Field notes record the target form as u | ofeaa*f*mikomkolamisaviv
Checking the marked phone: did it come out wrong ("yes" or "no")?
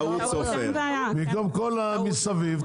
yes